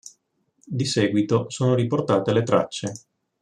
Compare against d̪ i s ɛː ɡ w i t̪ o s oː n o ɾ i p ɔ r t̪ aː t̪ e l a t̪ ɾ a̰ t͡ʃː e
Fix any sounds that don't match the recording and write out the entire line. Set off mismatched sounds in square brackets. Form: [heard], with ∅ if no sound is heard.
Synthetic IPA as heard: d̪ i s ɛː ɡ w i t̪ o s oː n o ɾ i p [o] r t̪ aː t̪ e l [e] t̪ ɾ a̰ t͡ʃː e